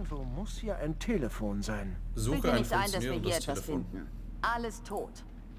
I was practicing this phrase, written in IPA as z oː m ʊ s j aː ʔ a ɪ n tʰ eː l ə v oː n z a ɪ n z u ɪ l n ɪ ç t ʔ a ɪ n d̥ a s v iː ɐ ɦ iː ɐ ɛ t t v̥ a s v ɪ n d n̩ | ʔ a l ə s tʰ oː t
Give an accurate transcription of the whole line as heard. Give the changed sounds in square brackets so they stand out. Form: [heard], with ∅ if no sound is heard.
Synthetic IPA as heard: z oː m ʊ s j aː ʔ a ɪ n tʰ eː l ə [f] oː n z a ɪ n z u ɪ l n ɪ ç t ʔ a ɪ n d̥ a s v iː ɐ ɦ iː ɐ ɛ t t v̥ a s [f] ɪ n d n̩ | ʔ a l ə s tʰ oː t